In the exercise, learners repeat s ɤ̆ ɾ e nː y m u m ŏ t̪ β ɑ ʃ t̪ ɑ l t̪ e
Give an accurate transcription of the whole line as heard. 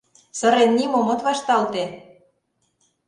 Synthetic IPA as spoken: s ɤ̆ ɾ e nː i m o m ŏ t̪ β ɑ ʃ t̪ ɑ l t̪ e